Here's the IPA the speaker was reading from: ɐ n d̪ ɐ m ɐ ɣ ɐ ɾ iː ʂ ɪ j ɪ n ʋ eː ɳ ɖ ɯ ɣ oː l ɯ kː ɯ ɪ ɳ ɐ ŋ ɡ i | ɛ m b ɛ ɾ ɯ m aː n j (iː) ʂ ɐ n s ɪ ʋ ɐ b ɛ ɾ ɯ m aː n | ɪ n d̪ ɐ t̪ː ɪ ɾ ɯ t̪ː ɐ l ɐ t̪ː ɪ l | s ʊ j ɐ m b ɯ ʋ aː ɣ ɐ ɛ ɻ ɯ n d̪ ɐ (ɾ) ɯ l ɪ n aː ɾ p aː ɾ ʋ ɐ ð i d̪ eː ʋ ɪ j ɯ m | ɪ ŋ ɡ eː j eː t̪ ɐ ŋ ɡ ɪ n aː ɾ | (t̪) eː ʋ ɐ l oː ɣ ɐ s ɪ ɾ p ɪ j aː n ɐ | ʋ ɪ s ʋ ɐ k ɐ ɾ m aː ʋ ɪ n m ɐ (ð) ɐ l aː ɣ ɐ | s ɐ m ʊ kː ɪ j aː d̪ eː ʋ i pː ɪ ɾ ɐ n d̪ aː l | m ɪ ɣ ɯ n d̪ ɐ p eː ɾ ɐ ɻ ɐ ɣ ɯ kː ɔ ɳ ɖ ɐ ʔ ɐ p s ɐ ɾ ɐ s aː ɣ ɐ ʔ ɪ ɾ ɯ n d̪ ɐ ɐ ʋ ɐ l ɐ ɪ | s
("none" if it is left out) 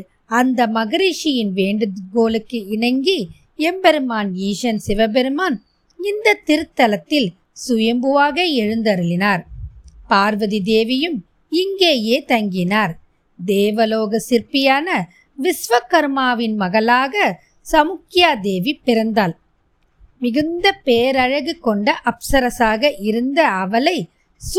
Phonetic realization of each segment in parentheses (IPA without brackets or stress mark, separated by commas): iː, ɾ, d̪, ɣ